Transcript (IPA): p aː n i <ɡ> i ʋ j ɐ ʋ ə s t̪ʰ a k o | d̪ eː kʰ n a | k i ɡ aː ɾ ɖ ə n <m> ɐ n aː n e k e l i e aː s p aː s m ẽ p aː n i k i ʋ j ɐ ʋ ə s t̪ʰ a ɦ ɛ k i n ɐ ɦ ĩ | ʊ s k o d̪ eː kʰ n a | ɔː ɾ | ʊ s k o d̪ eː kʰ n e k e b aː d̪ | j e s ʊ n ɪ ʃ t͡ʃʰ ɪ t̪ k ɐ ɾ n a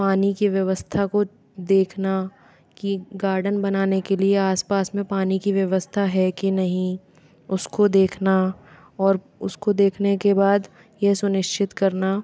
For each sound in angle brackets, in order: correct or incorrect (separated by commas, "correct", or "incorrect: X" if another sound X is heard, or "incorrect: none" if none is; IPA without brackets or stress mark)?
incorrect: k, incorrect: b